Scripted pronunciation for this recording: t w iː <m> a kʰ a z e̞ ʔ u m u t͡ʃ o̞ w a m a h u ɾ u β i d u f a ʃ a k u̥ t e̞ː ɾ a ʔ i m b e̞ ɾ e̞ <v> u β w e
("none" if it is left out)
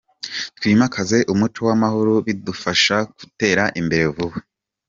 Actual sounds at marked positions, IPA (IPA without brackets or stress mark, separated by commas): m, v